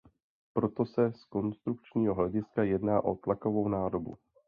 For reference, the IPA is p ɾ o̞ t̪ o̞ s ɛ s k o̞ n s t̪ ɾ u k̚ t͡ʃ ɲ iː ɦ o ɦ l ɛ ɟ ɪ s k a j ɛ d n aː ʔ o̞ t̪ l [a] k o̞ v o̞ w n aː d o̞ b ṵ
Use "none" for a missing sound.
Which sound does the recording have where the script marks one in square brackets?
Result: a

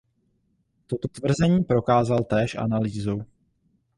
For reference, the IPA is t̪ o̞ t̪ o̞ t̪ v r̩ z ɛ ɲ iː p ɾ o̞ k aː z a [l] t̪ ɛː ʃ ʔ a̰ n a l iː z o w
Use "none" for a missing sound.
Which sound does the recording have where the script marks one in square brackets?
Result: l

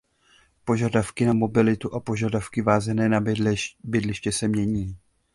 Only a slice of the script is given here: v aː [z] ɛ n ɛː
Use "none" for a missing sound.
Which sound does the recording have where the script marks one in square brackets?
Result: z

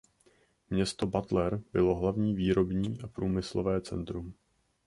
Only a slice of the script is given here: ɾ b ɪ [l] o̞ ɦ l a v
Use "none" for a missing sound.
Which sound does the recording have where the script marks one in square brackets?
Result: l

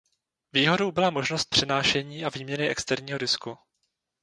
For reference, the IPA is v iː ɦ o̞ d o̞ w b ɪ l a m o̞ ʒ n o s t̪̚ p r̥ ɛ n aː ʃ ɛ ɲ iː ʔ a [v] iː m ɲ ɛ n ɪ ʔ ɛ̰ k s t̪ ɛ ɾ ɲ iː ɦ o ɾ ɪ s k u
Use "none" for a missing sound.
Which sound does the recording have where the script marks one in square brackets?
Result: v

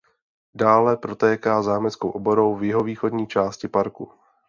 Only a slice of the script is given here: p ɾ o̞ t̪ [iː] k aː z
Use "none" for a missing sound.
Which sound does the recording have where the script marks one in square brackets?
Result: ɛː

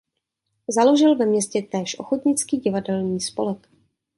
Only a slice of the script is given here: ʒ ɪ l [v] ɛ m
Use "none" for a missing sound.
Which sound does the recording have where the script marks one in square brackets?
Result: v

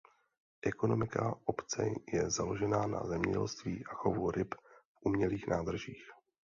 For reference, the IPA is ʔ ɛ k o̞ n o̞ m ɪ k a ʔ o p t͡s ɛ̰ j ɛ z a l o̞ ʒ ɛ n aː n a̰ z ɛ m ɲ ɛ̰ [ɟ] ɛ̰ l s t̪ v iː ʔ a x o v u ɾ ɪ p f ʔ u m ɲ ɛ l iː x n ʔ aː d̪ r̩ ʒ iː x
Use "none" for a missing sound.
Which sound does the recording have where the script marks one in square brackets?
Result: ɟ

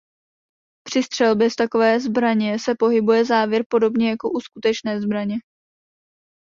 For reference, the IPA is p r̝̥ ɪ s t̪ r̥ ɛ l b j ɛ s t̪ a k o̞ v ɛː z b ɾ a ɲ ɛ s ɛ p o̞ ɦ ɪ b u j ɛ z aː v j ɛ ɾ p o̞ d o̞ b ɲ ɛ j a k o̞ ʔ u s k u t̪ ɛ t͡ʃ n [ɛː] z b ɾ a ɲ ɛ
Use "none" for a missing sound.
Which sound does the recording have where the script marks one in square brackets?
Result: ɛː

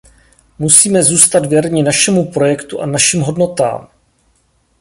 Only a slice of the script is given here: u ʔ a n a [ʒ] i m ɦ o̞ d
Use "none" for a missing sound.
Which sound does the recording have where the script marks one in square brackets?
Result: ʃ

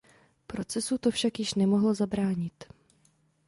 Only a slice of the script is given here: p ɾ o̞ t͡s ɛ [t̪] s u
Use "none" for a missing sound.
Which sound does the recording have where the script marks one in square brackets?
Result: none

